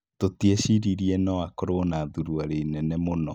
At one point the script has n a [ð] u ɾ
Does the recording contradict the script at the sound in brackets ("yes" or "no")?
no